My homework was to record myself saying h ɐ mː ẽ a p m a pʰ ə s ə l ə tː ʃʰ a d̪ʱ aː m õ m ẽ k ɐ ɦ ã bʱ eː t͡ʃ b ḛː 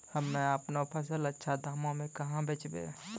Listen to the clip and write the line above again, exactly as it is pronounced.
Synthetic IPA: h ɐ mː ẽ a p n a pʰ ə s ə l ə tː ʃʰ a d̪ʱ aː m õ m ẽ k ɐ ɦ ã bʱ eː t͡ʃ b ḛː